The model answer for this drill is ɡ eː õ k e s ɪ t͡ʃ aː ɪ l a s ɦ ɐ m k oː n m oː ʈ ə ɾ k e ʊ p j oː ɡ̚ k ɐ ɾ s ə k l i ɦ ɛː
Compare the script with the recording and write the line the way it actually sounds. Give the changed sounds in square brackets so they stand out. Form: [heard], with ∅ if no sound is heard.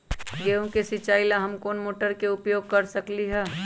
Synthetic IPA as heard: ɡ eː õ k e s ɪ t͡ʃ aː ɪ l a [∅] ɦ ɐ m k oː n m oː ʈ ə ɾ k e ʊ p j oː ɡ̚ k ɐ ɾ s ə k l i ɦ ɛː